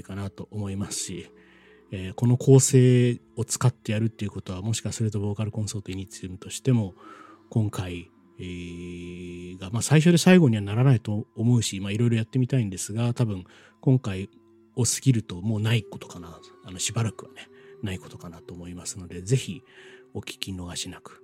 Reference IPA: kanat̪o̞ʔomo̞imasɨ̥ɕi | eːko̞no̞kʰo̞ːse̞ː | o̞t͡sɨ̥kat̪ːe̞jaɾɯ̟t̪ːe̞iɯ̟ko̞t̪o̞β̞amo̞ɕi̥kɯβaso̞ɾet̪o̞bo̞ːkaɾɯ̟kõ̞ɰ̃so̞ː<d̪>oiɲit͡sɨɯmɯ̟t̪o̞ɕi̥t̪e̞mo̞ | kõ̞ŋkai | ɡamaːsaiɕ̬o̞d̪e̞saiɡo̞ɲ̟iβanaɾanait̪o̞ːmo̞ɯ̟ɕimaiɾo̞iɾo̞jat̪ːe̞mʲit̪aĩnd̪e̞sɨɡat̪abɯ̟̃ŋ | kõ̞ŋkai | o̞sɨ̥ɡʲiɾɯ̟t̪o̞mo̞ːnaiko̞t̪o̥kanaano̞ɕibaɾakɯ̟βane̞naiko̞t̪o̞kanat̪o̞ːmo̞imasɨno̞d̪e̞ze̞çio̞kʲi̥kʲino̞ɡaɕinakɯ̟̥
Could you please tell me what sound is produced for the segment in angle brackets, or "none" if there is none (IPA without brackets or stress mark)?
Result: t̪